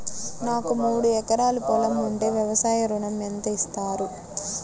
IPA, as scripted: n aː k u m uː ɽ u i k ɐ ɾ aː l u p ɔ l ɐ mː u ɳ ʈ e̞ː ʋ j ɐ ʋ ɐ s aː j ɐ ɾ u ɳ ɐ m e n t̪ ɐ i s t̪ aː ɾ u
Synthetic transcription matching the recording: n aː k u m uː ɽ u ɛ k ɐ ɾ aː l u p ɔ l ɐ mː u ɳ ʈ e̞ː ʋ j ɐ ʋ ɐ s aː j ɐ ɾ u ɳ ɐ m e n t̪ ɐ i s t̪ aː ɾ u